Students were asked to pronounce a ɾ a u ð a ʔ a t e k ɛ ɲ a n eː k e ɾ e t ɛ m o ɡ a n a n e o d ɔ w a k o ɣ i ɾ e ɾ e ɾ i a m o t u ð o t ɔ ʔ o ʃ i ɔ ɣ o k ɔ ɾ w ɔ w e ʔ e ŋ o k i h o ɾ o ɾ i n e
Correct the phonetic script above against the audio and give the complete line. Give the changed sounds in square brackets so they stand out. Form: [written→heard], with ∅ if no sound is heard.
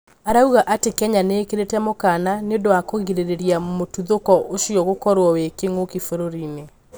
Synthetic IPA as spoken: a ɾ a u [ð→ɣ] a ʔ a t e k ɛ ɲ a n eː k e ɾ e t ɛ m o [ɡ→k] a n a n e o d [ɔ→o] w a k o ɣ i ɾ e ɾ e ɾ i a m o t u ð o [t→k] ɔ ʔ o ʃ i ɔ ɣ o k ɔ ɾ w ɔ w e [ʔ→k] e ŋ o k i [h→f] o ɾ o ɾ i n e